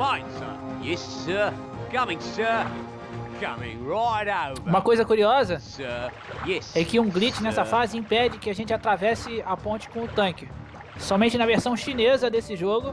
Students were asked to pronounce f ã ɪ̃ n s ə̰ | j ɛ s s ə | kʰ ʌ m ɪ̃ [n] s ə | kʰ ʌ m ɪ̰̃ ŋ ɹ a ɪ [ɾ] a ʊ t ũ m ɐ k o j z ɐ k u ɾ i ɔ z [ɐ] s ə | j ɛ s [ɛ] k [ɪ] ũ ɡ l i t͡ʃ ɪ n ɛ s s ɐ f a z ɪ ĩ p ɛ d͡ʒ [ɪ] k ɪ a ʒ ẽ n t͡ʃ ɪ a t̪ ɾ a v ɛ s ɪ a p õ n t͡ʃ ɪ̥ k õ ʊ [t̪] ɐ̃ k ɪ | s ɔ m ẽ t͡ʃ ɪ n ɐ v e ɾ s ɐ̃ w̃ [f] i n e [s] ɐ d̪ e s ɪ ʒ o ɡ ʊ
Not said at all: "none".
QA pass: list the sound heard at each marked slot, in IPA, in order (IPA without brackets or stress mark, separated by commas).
ŋ, ɾ, ɐ, ɛ, ɪ, ɪ, t̪, ʃ, z